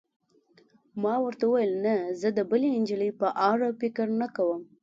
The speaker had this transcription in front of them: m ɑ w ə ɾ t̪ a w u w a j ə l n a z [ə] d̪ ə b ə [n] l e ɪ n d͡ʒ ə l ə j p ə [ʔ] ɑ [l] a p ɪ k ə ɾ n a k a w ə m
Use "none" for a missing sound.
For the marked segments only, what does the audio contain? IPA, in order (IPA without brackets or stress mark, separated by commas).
ə, none, ʔ, ɾ